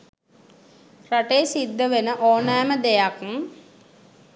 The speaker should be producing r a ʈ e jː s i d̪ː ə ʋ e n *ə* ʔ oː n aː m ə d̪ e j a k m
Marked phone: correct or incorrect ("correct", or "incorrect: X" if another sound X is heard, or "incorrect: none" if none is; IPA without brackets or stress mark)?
correct